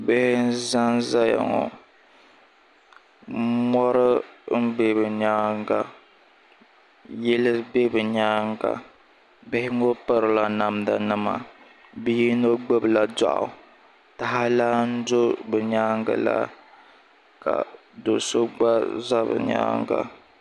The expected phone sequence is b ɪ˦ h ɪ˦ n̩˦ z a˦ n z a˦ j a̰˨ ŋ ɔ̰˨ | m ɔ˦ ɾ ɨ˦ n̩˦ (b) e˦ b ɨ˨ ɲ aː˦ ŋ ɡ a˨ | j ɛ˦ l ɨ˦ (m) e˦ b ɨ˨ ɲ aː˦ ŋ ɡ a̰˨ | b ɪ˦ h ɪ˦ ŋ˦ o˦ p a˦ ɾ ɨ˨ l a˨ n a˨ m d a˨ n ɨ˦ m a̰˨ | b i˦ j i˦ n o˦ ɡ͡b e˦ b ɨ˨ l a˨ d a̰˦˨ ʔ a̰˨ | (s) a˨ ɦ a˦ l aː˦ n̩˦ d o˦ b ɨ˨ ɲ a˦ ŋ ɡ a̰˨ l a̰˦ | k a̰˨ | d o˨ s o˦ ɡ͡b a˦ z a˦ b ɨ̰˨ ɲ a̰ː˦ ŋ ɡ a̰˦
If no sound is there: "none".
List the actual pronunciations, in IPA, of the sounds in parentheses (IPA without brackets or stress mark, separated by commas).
b, b, t